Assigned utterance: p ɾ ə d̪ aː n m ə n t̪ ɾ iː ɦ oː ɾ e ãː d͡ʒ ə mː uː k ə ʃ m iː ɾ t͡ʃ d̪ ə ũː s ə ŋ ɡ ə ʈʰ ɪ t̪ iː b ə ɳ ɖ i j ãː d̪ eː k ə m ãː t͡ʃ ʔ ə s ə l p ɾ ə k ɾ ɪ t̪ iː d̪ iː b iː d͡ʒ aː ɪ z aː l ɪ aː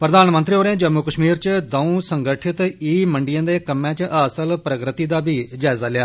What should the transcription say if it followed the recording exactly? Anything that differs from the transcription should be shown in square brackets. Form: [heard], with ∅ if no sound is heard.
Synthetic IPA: p ɾ ə d̪ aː n m ə n t̪ ɾ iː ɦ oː ɾ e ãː d͡ʒ ə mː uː k ə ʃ m iː ɾ t͡ʃ d̪ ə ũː s ə ŋ ɡ ə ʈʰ ɪ t̪ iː [m] ə ɳ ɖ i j ãː d̪ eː k ə m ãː t͡ʃ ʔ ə s ə l p ɾ ə k ɾ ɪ t̪ iː d̪ [aː] b iː d͡ʒ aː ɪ z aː l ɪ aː